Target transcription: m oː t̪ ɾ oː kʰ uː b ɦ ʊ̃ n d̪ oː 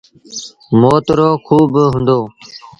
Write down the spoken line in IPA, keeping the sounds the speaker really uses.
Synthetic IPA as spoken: m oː t̪ ɾ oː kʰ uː b ɦ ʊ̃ n d̪ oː